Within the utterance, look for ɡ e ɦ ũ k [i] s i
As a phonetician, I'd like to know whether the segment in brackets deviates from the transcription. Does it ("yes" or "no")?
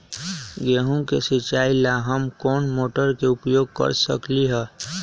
yes